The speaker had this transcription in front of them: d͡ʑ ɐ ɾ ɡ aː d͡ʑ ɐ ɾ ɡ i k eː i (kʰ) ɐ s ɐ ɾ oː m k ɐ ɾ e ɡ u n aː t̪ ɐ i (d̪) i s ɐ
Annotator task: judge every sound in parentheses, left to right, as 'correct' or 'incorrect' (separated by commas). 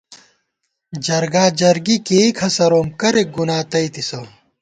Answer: correct, incorrect